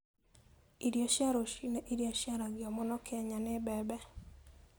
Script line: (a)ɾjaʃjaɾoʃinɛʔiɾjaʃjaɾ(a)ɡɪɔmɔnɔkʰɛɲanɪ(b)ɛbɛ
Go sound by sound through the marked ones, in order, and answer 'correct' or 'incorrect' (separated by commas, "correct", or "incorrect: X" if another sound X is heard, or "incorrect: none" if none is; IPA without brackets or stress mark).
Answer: incorrect: i, correct, correct